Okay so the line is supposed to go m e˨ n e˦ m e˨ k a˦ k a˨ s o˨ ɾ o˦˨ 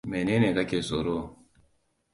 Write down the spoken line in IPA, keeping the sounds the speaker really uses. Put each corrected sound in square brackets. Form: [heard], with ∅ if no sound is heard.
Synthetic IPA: m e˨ n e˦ [n] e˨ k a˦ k [e˨] s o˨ ɾ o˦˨

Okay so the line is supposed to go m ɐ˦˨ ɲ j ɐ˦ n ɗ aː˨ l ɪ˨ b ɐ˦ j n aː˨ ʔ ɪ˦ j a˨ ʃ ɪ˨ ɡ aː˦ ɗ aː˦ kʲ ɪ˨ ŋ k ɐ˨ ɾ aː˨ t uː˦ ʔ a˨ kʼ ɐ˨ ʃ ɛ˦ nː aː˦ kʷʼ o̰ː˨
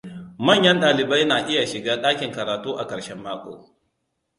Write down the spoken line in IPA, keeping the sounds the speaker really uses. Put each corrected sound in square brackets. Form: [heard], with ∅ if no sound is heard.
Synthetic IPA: m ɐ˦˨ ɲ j ɐ˦ n ɗ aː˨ l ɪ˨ b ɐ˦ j n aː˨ ʔ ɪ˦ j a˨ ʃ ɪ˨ ɡ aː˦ ɗ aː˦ kʲ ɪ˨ ŋ k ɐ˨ ɾ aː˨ t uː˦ ʔ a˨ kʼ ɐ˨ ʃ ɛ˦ [mː] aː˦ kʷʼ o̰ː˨

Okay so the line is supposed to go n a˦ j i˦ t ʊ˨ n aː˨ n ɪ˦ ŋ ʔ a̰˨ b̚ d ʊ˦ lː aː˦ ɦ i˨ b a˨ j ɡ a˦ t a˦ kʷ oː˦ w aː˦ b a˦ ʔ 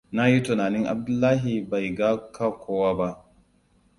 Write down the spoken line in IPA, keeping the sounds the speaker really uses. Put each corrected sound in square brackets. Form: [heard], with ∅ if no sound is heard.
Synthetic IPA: n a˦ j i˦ t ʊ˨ n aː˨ n ɪ˦ ŋ ʔ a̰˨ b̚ d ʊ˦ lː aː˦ ɦ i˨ b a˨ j ɡ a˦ [k] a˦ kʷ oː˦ w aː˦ b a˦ ʔ

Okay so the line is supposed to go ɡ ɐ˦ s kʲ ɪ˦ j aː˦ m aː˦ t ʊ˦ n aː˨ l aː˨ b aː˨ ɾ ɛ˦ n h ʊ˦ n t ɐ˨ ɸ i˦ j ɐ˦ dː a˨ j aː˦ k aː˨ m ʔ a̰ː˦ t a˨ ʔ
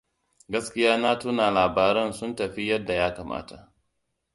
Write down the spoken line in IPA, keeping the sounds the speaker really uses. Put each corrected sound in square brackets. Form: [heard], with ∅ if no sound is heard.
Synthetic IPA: ɡ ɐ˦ s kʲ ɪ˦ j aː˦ [n] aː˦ t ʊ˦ n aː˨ l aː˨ b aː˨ ɾ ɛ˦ n [s] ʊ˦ n t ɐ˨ ɸ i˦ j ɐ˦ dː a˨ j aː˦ k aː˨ m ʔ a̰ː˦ t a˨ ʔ

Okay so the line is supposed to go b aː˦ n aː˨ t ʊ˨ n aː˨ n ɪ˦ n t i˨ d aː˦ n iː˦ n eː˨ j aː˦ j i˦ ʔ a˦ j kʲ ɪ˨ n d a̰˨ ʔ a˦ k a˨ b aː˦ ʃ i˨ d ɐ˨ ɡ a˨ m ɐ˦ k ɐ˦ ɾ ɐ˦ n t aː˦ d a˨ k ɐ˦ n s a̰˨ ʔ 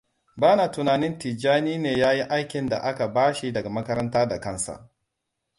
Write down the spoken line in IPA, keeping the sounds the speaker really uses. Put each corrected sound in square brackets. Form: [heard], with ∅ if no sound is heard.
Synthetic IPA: b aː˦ n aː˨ t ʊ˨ n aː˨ n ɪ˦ n t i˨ [d͡ʒ] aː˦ n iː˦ n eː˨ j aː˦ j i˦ ʔ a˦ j kʲ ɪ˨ n d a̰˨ ʔ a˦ k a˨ b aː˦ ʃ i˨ d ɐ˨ ɡ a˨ m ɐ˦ k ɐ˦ ɾ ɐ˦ n t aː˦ d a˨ k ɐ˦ n s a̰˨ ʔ

